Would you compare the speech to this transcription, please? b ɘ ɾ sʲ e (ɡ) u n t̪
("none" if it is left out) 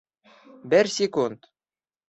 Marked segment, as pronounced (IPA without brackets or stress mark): k